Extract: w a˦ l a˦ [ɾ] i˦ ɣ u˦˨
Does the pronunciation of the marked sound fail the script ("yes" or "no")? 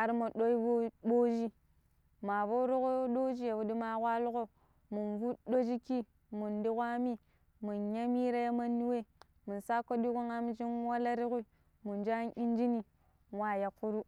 no